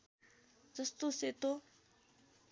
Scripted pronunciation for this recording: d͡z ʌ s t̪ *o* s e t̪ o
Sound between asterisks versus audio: correct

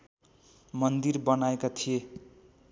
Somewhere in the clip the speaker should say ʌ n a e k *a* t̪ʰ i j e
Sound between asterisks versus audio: correct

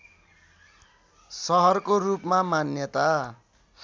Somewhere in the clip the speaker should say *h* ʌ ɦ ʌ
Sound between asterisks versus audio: incorrect: s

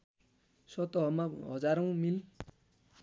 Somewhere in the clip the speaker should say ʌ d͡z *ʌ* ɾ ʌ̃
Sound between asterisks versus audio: incorrect: a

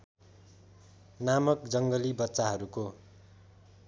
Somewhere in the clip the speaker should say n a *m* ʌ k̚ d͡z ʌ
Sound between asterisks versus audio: correct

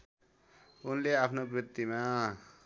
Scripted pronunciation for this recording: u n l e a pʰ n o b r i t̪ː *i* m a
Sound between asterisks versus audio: correct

